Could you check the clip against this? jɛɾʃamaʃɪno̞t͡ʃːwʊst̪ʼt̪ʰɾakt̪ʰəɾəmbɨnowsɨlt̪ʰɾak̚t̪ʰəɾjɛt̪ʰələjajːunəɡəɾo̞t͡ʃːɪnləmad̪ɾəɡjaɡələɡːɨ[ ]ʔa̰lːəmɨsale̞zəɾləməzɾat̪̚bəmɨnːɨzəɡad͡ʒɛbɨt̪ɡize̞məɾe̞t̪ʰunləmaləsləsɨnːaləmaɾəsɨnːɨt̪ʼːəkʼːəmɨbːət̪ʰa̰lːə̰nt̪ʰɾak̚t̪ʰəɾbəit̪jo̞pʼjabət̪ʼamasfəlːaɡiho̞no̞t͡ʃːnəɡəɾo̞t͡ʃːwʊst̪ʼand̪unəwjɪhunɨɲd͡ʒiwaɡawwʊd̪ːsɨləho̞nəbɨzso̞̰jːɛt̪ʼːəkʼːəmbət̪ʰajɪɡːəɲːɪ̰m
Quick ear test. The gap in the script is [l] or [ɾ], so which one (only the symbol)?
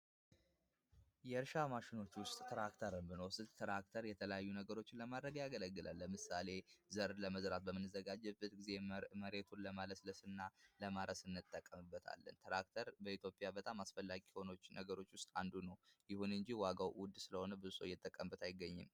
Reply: l